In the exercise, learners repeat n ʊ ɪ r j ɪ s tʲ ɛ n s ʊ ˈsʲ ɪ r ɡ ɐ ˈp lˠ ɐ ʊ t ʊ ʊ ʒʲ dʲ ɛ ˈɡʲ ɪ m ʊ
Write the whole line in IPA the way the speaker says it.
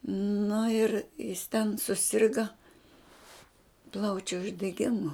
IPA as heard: n ʊ ɪ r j ɪ s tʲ ɛ n s ʊ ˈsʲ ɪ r ɡ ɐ ˈp lˠ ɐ ʊ t͡ʃʲ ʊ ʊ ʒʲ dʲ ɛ ˈɡʲ ɪ m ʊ